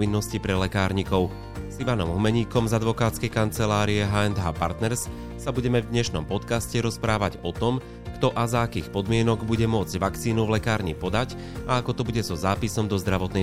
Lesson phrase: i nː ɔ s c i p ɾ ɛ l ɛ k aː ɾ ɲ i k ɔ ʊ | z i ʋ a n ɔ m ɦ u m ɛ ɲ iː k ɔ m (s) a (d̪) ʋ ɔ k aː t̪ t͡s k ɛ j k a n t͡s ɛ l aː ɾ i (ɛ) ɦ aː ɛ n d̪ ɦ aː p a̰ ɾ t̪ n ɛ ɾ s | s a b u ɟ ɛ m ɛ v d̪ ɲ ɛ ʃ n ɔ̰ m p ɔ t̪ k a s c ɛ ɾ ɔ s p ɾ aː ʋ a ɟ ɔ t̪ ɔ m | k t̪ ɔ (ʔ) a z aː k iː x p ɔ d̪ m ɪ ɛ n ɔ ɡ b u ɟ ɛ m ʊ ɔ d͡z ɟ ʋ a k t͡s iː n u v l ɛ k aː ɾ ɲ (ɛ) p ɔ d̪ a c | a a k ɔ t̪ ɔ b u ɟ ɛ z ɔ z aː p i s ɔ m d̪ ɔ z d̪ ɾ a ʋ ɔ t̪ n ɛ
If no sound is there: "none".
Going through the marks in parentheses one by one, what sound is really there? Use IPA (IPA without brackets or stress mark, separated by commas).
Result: z, d̪, ɛ, ʔ, i